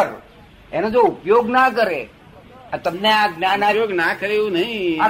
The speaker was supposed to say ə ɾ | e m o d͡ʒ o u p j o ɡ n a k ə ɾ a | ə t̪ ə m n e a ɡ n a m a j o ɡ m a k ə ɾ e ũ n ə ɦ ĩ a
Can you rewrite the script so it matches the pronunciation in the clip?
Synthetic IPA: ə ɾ | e n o d͡ʒ o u p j o ɡ n a k ə ɾ e | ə t̪ ə m n e a ɡ n a n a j o ɡ n a k ə ɾ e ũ n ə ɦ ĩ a